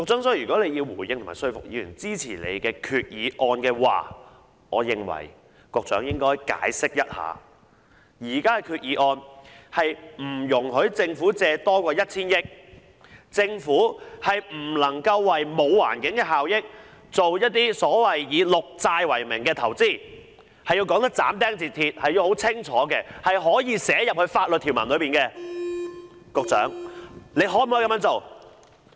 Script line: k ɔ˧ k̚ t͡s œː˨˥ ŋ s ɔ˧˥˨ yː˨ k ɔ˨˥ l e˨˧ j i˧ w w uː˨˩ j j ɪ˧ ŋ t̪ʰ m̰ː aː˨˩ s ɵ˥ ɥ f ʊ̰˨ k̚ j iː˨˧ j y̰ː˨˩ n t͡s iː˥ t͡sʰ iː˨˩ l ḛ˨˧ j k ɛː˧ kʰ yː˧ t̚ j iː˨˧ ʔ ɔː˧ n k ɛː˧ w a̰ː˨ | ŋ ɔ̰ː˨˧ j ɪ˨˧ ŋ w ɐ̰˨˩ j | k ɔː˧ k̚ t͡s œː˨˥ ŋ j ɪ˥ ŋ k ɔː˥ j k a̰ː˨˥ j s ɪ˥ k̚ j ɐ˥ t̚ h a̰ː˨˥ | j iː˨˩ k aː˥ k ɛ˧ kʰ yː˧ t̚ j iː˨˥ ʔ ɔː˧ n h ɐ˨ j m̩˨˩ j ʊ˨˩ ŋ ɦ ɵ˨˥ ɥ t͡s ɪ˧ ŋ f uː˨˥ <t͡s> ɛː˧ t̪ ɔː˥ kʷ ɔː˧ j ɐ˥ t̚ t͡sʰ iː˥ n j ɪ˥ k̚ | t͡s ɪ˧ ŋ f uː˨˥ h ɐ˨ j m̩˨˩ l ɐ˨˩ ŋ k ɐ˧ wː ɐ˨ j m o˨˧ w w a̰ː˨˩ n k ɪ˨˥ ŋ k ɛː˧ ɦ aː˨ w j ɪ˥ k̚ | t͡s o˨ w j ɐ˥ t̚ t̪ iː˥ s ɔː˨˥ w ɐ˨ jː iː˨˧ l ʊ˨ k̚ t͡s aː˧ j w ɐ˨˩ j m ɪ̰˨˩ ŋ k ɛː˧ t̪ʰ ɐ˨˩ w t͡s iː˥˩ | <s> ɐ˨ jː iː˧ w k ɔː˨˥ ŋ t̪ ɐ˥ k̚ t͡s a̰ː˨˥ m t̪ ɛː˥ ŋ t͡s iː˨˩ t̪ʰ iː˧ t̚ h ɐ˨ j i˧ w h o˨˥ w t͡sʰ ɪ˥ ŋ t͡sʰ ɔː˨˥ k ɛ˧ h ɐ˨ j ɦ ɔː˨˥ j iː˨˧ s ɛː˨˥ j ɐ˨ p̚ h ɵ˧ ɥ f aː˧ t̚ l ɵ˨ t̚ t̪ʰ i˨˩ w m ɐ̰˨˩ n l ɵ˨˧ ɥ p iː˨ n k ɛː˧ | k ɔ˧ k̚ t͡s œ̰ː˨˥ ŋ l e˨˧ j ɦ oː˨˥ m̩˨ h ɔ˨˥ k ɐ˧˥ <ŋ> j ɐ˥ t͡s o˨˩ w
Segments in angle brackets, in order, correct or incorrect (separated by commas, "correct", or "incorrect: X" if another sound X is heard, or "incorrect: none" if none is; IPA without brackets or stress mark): correct, incorrect: h, incorrect: m